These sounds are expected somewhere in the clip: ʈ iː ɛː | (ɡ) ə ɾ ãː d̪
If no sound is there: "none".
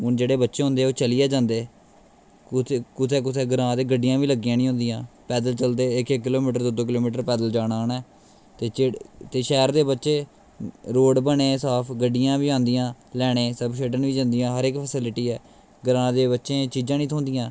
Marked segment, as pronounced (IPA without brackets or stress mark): ɡ